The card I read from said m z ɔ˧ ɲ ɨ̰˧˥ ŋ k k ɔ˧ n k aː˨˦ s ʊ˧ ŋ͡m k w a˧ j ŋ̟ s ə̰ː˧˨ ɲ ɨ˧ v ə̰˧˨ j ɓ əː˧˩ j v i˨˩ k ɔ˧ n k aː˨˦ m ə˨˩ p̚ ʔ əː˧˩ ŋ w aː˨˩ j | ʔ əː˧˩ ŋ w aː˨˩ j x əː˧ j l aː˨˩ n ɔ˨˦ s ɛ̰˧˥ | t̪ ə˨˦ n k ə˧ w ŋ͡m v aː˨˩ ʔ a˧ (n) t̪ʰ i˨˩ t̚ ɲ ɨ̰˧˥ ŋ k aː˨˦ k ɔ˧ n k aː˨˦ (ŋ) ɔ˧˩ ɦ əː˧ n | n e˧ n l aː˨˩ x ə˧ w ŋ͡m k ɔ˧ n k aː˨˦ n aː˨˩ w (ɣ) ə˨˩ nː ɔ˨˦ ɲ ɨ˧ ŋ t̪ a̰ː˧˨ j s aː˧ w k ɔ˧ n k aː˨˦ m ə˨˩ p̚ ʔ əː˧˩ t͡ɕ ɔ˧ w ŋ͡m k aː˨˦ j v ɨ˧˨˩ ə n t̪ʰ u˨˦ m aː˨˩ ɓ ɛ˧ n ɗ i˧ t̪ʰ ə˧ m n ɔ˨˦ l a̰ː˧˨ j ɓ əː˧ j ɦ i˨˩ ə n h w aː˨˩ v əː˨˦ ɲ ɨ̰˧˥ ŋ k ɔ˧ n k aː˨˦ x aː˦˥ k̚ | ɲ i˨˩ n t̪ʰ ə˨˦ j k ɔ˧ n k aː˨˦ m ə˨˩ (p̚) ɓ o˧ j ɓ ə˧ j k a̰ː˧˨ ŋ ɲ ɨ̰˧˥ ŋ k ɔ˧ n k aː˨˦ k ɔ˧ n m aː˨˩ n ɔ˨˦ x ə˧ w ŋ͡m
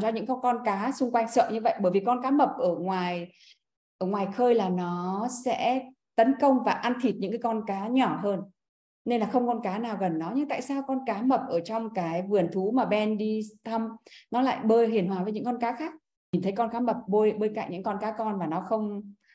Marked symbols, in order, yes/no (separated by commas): yes, no, yes, yes